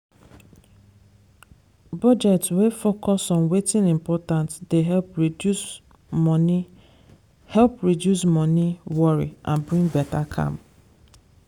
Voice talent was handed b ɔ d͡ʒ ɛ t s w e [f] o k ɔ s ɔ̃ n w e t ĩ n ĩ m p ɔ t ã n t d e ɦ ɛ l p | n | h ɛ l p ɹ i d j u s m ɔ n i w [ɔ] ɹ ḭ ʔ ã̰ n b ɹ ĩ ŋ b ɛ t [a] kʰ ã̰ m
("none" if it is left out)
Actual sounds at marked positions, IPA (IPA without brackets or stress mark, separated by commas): f, ɔ, a